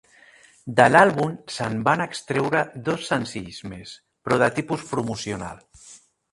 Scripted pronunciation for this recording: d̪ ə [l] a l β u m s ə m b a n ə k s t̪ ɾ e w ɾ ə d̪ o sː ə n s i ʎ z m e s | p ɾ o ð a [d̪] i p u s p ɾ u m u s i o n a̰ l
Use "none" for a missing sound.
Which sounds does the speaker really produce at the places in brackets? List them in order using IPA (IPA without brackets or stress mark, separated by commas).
l, t̪